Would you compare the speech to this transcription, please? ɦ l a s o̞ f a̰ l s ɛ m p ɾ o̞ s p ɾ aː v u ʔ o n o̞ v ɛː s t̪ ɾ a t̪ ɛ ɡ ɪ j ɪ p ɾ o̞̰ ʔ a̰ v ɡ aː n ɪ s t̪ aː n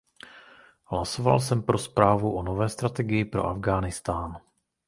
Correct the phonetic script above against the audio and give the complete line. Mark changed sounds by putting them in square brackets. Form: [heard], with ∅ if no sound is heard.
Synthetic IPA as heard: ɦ l a s o̞ [v] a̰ l s ɛ m p ɾ o̞ s p ɾ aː v u ʔ o n o̞ v ɛː s t̪ ɾ a t̪ ɛ ɡ ɪ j ɪ p ɾ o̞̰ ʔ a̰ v ɡ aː n ɪ s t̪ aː n

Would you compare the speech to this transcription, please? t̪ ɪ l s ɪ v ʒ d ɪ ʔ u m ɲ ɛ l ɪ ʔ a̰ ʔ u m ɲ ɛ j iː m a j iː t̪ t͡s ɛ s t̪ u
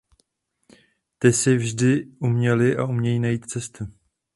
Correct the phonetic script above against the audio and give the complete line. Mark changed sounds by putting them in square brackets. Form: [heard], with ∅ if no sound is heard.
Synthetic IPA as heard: t̪ ɪ [∅] s ɪ v ʒ d ɪ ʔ u m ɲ ɛ l ɪ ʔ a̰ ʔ u m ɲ ɛ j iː [n] a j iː t̪ t͡s ɛ s t̪ u

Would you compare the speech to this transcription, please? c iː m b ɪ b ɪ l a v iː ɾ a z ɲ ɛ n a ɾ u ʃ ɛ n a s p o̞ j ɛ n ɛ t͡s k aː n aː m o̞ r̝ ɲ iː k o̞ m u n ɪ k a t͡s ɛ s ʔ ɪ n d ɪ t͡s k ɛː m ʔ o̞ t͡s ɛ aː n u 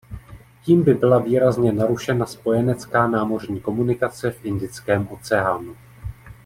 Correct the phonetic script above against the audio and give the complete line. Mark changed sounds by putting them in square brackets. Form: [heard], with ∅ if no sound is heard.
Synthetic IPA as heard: c iː m b ɪ b ɪ l a v iː ɾ a z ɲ ɛ n a ɾ u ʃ ɛ n a s p o̞ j ɛ n ɛ t͡s k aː n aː m o̞ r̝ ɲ iː k o̞ m u n ɪ k a t͡s ɛ [f] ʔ ɪ n d ɪ t͡s k ɛː m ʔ o̞ t͡s ɛ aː n u

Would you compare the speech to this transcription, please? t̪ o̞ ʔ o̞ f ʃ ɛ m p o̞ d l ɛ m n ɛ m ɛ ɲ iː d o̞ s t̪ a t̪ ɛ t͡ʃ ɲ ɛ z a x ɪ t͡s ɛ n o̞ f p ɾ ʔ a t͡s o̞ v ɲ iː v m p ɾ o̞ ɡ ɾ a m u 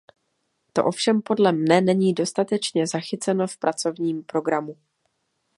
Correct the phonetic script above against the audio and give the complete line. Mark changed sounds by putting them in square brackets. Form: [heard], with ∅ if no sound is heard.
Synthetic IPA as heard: t̪ o̞ ʔ o̞ f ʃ ɛ m p o̞ d l ɛ m n ɛ [n] ɛ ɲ iː d o̞ s t̪ a t̪ ɛ t͡ʃ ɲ ɛ z a x ɪ t͡s ɛ n o̞ f p ɾ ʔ a t͡s o̞ v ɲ iː [∅] m p ɾ o̞ ɡ ɾ a m u

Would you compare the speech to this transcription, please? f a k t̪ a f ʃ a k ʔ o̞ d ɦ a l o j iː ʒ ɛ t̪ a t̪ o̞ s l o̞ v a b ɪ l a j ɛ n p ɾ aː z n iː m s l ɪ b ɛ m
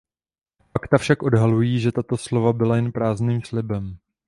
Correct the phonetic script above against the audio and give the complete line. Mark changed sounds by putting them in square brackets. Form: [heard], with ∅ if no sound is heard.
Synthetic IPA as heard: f a k t̪ a f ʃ a k ʔ o̞ d ɦ a l [u] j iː ʒ ɛ t̪ a t̪ o̞ s l o̞ v a b ɪ l a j ɛ n p ɾ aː z n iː m s l ɪ b ɛ m

